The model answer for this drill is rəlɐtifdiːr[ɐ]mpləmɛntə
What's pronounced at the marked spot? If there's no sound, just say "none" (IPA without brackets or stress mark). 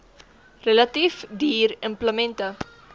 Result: ə